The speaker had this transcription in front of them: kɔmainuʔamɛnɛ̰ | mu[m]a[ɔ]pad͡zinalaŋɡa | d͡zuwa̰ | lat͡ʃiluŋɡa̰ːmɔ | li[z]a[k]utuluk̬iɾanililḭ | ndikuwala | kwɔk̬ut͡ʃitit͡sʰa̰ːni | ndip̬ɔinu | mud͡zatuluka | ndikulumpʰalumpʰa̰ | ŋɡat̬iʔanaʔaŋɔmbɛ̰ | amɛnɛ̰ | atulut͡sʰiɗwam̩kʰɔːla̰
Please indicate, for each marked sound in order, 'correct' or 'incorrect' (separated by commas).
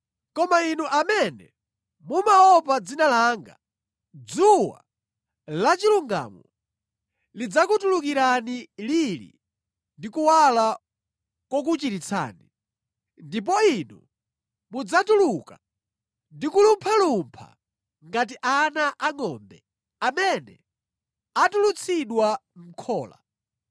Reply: correct, correct, incorrect, correct